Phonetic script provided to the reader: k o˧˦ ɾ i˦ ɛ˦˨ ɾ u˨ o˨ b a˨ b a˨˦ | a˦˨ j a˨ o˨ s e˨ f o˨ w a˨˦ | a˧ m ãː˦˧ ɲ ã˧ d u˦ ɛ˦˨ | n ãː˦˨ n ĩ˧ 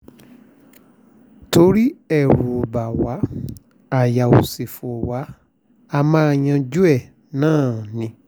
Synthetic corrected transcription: t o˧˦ ɾ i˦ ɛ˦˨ ɾ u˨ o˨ b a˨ w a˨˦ | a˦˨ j a˨ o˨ s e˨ f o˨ w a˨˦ | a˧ m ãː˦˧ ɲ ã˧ d͡ʒ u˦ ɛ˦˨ | n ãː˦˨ n ĩ˧